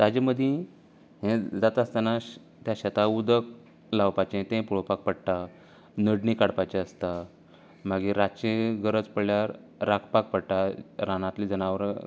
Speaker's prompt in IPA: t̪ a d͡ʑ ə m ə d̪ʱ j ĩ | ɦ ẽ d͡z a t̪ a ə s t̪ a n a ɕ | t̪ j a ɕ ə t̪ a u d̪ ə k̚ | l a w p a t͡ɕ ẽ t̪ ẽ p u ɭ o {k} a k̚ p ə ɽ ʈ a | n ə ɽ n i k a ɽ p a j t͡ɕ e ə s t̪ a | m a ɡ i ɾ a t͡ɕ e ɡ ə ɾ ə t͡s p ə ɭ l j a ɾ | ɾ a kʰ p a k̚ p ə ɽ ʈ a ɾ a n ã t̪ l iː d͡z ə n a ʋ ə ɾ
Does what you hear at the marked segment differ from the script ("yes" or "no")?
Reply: yes